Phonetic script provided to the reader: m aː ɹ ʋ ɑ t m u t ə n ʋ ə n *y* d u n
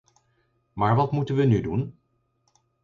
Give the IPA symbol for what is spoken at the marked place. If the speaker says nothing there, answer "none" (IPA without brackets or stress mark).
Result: y